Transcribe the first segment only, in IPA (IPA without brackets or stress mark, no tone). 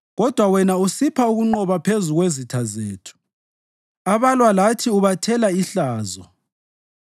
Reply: ɣ